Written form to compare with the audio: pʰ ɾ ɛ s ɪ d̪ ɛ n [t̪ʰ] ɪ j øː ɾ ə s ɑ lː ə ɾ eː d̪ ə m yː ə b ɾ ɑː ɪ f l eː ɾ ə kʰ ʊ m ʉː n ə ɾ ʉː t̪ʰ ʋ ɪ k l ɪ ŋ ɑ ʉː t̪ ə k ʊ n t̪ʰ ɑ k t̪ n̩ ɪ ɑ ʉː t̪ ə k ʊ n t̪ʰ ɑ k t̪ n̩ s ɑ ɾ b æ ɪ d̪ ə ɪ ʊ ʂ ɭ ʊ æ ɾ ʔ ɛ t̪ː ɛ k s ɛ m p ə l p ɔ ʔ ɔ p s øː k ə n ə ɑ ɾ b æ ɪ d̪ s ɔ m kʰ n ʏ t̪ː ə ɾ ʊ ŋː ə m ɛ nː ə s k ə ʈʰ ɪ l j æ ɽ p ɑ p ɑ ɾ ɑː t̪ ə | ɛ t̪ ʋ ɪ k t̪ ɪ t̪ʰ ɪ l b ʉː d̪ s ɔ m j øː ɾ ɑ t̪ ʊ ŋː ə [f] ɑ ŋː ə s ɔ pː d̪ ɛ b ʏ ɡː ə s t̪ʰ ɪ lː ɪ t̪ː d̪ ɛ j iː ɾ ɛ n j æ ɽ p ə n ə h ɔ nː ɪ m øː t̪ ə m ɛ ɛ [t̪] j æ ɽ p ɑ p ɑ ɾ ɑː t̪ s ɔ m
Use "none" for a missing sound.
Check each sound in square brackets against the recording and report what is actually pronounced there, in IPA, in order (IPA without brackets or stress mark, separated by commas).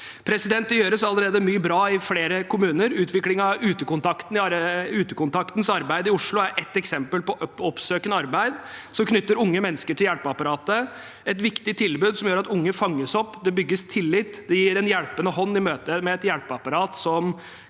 t̪, f, t̪